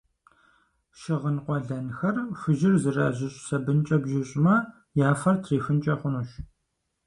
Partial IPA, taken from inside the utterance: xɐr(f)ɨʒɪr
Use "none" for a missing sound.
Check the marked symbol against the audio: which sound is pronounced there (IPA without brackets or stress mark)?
f